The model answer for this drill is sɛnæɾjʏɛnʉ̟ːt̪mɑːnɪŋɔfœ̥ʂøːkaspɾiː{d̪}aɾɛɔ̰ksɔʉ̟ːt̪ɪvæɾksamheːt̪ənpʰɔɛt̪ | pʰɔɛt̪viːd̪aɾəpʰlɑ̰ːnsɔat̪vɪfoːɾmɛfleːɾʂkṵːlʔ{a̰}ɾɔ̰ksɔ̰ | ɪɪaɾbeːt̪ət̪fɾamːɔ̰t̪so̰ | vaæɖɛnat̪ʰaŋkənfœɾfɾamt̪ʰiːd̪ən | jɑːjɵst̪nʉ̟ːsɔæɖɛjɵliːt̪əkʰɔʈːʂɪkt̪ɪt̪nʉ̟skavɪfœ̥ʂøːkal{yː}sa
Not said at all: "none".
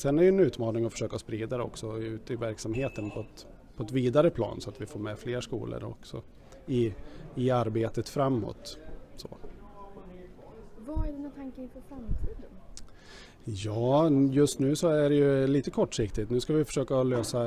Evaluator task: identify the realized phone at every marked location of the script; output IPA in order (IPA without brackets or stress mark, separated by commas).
d̪, ə̰, øː